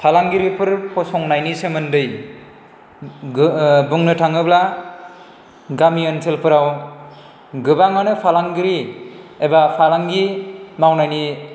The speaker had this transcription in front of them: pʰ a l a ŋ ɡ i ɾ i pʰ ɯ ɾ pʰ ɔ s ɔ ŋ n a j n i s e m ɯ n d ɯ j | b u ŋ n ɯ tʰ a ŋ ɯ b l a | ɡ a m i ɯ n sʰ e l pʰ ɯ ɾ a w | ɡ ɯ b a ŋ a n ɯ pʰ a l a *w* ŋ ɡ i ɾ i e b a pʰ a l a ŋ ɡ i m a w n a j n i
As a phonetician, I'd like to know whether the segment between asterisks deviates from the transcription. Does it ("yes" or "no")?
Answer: yes